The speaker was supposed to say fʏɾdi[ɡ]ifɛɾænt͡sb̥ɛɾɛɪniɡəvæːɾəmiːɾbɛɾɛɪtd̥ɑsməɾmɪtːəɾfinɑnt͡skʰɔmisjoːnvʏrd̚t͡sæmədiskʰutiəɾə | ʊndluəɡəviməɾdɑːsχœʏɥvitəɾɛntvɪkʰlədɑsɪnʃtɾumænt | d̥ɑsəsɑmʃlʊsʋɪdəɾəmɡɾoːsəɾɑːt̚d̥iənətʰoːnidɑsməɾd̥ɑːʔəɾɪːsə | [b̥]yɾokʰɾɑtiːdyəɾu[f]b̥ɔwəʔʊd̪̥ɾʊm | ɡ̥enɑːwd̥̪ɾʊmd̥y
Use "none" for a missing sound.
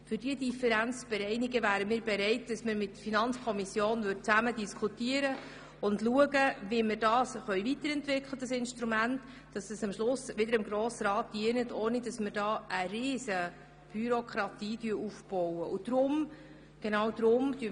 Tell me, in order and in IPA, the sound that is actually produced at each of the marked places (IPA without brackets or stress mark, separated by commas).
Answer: d, b̥, f